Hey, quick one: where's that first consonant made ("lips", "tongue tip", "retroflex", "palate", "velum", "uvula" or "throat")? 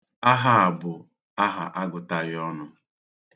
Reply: throat